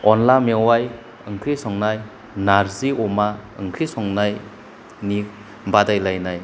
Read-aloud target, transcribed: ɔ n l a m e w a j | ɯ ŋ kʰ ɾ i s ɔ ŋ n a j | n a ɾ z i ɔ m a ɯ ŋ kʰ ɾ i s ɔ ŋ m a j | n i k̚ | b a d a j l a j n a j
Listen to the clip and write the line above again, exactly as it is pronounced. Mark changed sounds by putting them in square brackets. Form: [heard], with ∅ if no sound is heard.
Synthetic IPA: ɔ n l a m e w a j | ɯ ŋ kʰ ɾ i s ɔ ŋ n a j | n a ɾ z i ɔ m a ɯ ŋ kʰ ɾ i s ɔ ŋ [n] a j | n i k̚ | b a d a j l a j n a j